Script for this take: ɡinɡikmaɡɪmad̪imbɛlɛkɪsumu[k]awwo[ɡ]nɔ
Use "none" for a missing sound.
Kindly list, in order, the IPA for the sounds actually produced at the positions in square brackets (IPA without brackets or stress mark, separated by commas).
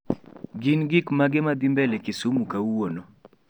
k, none